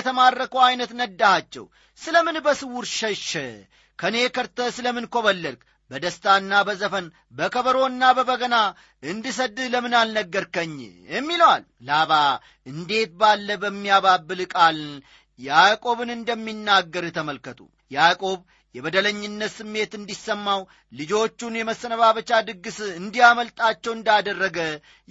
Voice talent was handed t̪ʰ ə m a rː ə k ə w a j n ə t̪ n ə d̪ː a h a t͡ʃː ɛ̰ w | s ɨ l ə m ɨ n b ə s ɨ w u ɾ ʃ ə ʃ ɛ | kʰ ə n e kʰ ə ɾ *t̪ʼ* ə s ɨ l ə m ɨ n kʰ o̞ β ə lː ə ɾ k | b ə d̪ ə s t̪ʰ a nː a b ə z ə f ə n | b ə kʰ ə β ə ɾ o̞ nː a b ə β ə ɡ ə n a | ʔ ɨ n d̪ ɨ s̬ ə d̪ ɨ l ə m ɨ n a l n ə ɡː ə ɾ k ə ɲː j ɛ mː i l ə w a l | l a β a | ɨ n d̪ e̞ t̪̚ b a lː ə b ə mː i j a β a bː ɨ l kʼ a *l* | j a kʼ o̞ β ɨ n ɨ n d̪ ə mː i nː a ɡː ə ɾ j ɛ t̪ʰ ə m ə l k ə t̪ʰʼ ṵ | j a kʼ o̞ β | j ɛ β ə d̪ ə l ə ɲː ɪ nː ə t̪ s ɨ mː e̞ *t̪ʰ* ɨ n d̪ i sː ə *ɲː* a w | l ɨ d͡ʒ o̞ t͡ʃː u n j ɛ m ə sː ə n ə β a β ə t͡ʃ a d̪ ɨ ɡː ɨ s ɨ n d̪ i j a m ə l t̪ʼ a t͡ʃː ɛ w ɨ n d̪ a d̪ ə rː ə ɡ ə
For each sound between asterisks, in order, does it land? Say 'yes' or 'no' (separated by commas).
no, yes, no, no